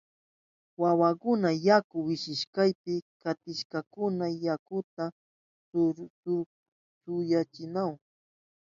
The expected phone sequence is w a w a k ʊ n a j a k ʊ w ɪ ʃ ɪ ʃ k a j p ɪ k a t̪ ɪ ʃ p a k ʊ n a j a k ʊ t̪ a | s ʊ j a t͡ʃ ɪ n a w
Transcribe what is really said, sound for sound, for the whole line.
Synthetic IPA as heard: w a w a k ʊ n a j a k ʊ w ɪ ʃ ɪ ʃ k a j p ɪ k a t̪ ɪ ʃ k a k ʊ n a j a k ʊ t̪ a | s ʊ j a t͡ʃ ɪ n a w